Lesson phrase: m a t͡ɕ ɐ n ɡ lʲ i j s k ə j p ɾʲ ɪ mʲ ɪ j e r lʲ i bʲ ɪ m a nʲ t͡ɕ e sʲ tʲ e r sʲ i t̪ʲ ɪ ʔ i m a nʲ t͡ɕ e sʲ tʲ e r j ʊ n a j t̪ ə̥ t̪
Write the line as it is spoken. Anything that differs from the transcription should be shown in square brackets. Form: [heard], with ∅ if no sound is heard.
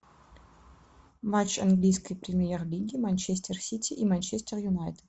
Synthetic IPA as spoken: m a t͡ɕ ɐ n ɡ lʲ i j s k ə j p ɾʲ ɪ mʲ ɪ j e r lʲ i [ɡʲ] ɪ m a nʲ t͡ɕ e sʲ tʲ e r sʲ i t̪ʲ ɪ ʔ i m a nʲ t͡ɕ e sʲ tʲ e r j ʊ n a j t̪ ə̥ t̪